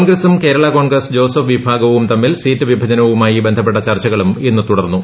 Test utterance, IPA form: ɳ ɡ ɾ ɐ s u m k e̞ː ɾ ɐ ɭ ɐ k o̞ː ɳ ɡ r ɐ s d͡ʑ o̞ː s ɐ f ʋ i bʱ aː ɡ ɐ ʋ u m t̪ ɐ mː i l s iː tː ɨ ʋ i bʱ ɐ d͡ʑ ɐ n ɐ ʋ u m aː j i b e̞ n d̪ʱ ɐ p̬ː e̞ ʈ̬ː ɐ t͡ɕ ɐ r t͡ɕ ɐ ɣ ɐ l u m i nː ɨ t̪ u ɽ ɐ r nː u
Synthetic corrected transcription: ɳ ɡ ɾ ɐ s u m k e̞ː ɾ ɐ ɭ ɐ k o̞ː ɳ ɡ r ɐ s d͡ʑ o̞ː s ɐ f ʋ i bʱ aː ɡ ɐ ʋ u m t̪ ɐ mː i l s iː tː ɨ ʋ i bʱ ɐ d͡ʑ ɐ n ɐ ʋ u m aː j i b e̞ n d̪ʱ ɐ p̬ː e̞ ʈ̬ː ɐ t͡ɕ ɐ r t͡ɕ ɐ ɣ ɐ ɭ u m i nː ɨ t̪ u ɽ ɐ r nː u